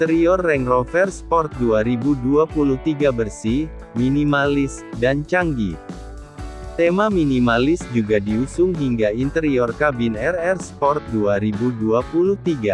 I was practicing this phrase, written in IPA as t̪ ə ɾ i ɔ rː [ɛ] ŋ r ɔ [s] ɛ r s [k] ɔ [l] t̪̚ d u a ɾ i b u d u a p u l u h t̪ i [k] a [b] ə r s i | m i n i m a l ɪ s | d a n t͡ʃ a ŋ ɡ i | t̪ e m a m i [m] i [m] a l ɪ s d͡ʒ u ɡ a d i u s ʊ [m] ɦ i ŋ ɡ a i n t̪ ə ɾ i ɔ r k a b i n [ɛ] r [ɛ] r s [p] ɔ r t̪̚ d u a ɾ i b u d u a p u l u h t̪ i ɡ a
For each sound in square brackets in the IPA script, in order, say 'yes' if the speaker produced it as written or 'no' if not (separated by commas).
yes, no, no, no, no, yes, no, yes, no, yes, yes, yes